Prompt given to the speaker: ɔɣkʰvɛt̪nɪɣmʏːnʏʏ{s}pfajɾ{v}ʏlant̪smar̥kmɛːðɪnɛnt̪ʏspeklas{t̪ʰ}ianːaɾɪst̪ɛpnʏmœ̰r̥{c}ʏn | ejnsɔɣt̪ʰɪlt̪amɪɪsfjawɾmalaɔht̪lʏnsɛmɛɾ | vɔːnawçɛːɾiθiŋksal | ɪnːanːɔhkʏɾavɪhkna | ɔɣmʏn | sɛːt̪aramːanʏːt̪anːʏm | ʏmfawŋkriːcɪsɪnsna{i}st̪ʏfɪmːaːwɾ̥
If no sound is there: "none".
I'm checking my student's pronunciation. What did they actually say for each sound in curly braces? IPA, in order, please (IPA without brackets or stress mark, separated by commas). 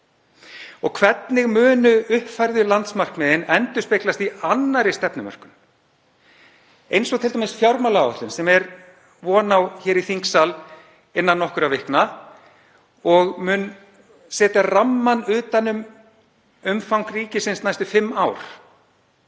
h, ð, t̪, k, j